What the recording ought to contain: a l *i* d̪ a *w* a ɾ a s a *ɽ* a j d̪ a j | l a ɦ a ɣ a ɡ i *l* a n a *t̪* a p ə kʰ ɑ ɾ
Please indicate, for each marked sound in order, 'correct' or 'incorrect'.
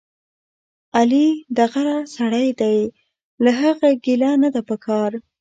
correct, incorrect, correct, correct, incorrect

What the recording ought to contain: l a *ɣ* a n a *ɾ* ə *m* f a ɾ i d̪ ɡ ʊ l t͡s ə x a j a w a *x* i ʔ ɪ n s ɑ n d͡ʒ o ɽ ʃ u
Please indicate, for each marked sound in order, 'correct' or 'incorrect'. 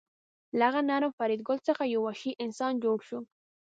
correct, correct, correct, incorrect

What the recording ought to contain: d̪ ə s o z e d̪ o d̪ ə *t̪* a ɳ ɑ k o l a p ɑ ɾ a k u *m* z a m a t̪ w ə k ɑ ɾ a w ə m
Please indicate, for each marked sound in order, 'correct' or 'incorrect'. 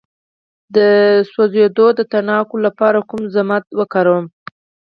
correct, correct

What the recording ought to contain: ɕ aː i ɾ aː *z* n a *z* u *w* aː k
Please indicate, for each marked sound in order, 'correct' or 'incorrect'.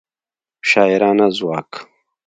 incorrect, correct, correct

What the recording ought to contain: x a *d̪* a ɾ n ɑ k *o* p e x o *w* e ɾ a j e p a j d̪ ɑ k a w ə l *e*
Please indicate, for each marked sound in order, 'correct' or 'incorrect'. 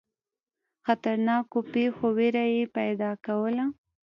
incorrect, correct, correct, incorrect

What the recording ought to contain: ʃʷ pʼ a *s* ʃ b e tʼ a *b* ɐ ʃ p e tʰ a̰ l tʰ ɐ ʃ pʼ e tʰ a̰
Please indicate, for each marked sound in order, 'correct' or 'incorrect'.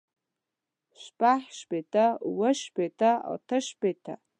incorrect, incorrect

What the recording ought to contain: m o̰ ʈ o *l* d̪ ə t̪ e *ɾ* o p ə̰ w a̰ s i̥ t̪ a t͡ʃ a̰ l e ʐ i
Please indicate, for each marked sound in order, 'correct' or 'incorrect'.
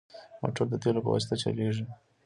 incorrect, incorrect

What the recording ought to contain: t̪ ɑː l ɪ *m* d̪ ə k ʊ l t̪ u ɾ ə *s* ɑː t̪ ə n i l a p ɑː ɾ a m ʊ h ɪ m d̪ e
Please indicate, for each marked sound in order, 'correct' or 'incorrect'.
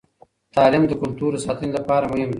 correct, correct

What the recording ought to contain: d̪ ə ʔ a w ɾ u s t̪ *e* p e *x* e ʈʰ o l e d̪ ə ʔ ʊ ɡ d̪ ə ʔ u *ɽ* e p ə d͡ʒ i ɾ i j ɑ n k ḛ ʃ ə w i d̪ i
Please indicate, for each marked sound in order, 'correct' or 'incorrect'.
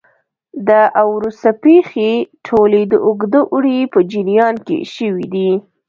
incorrect, correct, correct

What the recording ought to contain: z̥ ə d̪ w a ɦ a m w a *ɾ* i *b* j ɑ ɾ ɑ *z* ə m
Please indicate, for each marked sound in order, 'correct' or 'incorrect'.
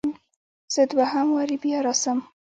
correct, correct, incorrect

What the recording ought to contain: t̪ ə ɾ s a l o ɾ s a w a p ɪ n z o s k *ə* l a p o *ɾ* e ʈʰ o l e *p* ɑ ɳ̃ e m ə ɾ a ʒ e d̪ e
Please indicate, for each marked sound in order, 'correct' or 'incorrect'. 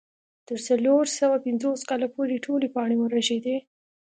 incorrect, correct, correct

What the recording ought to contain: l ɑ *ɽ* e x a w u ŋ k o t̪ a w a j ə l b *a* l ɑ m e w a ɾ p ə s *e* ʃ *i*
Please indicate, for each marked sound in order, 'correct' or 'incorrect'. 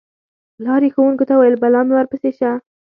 incorrect, correct, correct, incorrect

